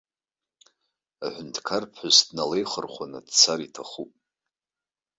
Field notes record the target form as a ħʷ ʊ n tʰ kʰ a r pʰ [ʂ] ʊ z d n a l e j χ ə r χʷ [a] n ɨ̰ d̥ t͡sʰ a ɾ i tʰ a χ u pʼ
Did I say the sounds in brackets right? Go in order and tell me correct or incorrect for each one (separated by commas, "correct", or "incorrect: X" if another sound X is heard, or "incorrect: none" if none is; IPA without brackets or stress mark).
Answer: incorrect: ħ, correct